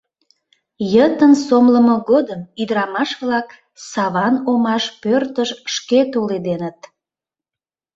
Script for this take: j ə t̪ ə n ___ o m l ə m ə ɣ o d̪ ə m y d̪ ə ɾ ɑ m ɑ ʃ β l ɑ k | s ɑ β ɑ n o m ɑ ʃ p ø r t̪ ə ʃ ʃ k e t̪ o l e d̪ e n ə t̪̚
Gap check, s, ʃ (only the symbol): s